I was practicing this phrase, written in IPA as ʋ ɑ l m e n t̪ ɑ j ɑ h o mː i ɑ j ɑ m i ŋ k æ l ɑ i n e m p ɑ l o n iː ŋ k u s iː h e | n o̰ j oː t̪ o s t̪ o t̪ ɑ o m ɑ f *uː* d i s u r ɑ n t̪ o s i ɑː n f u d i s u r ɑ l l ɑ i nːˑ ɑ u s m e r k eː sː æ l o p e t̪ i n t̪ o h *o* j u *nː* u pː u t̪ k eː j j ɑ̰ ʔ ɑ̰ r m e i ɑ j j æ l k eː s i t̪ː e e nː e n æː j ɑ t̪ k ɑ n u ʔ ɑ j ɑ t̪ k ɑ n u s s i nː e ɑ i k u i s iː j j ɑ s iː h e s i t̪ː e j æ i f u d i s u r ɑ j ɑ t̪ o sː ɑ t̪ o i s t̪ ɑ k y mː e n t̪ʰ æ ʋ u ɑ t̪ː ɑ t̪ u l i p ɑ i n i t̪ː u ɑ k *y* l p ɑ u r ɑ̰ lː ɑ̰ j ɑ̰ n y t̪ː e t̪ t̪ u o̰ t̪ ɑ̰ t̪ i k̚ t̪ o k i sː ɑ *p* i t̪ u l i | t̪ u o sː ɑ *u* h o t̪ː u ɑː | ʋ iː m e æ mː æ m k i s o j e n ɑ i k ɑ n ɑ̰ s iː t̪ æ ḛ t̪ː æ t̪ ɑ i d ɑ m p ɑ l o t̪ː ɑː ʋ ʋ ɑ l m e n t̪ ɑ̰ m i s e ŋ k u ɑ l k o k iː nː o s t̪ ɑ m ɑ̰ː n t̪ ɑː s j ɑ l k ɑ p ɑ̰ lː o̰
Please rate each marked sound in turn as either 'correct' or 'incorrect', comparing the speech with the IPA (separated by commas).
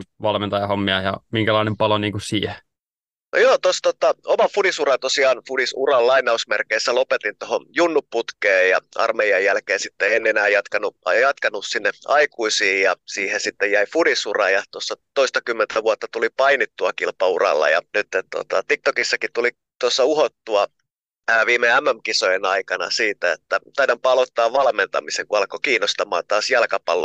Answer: incorrect, correct, correct, incorrect, incorrect, correct